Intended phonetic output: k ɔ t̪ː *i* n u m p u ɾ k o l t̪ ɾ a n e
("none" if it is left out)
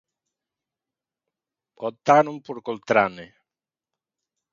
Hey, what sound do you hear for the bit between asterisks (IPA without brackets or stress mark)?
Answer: a